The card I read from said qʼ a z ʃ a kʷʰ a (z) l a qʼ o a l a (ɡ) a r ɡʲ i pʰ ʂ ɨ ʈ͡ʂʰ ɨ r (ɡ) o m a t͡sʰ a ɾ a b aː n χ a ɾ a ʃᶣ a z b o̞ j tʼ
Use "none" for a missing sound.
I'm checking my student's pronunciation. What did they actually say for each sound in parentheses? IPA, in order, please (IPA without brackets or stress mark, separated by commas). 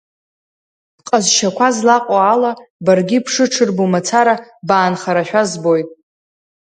z, b, b